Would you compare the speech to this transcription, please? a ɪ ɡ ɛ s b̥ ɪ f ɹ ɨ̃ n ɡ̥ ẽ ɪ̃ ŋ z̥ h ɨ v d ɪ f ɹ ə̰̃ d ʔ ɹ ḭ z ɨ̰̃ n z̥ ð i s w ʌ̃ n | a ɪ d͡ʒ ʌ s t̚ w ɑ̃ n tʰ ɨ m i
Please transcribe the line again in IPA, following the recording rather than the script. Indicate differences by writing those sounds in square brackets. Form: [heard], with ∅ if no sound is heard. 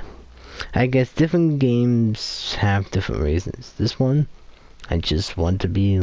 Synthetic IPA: a ɪ ɡ ɛ s [d̥] ɪ f ɹ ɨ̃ n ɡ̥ ẽ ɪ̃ [m] z̥ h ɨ v d ɪ f ɹ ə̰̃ [n] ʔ ɹ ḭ z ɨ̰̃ n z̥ ð [ɪ] s w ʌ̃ n | a ɪ d͡ʒ ʌ s t̚ w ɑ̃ n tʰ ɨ [b] i